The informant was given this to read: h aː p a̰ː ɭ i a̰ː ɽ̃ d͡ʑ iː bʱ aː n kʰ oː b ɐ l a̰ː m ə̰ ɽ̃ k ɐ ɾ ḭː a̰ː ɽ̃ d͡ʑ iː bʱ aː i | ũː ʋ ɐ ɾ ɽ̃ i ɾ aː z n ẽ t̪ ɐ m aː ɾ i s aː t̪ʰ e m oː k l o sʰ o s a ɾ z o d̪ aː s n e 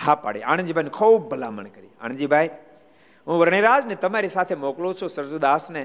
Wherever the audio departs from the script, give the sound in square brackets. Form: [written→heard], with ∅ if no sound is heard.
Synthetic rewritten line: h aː p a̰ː [ɭ→ɽ] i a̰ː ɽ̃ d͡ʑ iː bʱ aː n kʰ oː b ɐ l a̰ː m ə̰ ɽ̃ k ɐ ɾ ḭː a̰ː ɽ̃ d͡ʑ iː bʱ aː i | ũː ʋ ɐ ɾ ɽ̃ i ɾ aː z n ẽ t̪ ɐ m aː ɾ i s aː t̪ʰ e m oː k l o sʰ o s [a→ɐ] ɾ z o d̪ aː s n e